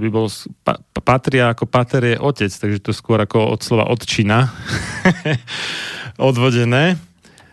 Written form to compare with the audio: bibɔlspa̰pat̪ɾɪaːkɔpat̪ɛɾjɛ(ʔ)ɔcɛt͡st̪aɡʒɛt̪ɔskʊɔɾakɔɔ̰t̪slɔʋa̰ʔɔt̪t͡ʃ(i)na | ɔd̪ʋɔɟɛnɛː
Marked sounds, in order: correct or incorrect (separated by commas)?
correct, correct